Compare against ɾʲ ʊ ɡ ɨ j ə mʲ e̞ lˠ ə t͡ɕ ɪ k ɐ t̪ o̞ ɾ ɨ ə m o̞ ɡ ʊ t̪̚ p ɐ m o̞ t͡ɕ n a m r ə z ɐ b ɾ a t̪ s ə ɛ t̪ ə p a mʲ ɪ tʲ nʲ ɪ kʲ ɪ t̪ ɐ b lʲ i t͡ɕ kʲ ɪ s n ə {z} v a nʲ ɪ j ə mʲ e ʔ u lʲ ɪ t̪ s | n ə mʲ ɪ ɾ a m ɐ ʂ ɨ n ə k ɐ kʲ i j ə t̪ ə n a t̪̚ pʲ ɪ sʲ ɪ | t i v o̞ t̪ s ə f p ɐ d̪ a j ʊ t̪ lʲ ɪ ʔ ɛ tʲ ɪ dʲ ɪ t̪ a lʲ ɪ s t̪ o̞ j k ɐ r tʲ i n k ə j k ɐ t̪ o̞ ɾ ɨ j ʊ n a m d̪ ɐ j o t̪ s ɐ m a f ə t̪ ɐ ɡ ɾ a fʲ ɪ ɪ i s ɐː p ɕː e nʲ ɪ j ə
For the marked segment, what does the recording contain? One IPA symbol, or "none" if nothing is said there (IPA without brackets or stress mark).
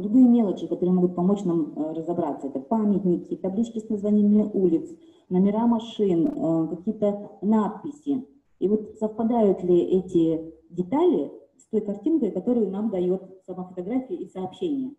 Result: z